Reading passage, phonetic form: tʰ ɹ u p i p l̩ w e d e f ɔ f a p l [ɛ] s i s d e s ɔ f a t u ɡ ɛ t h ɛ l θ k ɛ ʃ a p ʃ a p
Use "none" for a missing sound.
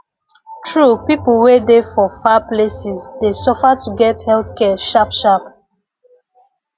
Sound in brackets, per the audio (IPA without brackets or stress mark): e